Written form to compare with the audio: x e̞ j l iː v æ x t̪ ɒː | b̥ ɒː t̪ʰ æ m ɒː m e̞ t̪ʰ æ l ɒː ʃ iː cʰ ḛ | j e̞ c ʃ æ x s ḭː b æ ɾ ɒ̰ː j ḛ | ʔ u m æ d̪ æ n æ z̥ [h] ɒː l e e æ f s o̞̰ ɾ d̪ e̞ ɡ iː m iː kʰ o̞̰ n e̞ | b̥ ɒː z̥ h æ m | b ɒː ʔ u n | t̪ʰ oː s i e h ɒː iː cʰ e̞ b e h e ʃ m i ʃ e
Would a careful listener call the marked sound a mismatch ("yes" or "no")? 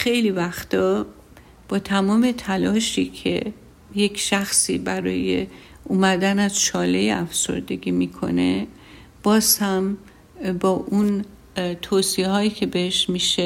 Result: yes